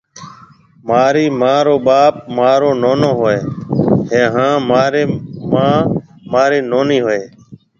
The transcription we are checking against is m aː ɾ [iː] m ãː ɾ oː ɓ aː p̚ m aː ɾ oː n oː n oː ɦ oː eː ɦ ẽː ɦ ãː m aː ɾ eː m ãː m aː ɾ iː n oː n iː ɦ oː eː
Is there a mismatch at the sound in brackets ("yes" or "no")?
no